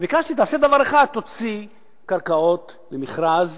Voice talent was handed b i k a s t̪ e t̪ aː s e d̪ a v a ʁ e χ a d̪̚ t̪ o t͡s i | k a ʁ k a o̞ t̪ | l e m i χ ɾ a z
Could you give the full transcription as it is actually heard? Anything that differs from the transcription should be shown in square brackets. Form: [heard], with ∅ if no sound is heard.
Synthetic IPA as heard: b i k a [ʃ] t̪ [i] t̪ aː s e d̪ a v a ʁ e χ a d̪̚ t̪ o t͡s i | k a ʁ k a o̞ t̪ | l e m i χ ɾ a z